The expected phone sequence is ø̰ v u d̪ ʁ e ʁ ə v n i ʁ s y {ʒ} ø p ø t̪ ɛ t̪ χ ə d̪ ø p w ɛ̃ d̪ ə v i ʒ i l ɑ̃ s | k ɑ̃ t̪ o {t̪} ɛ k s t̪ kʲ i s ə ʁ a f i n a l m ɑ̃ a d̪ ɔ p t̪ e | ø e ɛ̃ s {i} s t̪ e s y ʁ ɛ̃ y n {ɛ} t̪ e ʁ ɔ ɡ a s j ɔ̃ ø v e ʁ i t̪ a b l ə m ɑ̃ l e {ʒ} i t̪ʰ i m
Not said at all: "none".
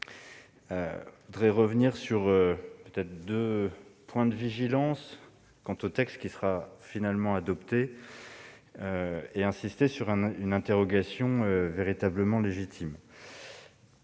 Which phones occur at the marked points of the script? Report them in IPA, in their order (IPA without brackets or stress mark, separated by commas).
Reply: ʁ, t̪, i, ɛ̃, ʒ